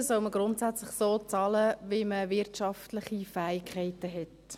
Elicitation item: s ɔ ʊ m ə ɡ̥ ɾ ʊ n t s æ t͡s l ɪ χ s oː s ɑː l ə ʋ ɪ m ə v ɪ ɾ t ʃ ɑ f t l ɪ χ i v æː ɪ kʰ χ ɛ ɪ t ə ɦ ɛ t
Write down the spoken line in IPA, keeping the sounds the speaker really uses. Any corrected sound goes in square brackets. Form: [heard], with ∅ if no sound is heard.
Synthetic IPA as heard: s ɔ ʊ m ə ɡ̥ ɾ ʊ n t s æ t͡s l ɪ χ s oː [t͡s] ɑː l ə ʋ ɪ m ə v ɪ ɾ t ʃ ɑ f t l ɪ χ i [f] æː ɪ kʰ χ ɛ ɪ t ə ɦ ɛ t